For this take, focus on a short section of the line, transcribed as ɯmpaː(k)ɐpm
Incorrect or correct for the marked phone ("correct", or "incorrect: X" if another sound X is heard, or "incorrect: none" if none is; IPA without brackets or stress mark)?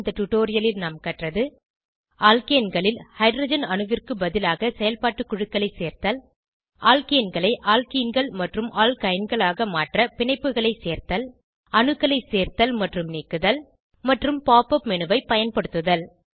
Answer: incorrect: p